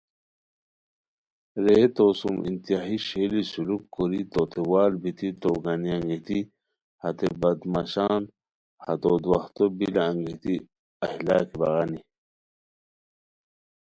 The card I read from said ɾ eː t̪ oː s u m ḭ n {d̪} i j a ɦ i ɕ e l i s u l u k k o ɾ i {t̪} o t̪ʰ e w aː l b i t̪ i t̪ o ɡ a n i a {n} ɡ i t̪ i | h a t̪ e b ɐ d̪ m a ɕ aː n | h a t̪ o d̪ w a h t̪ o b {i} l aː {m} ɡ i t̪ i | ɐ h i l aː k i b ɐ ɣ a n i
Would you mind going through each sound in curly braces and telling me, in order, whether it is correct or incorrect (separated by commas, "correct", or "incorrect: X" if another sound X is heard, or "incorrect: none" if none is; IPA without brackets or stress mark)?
incorrect: t̪, correct, incorrect: ŋ, correct, incorrect: ŋ